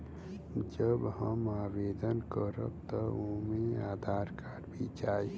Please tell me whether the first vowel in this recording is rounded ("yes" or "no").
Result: no